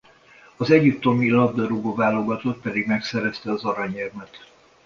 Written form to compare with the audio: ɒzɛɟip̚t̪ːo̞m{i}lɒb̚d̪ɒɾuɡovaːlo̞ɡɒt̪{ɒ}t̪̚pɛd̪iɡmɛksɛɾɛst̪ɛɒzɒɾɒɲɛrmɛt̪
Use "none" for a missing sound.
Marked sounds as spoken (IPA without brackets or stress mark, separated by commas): i, o